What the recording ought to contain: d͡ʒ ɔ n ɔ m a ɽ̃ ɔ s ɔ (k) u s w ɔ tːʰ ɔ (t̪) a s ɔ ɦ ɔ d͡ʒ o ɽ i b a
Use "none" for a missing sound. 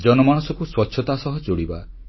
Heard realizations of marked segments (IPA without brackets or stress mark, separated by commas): k, t̪